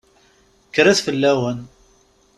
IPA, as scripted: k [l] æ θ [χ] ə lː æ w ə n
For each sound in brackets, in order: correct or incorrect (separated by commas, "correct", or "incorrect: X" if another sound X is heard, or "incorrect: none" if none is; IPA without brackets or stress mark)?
incorrect: ɾ, incorrect: f